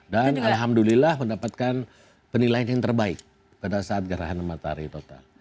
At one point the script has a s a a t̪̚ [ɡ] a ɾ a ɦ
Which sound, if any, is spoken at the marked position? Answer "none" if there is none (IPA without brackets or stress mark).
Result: ɡ